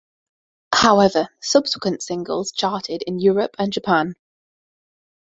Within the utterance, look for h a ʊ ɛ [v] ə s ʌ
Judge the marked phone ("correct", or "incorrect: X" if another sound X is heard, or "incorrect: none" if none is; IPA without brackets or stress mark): correct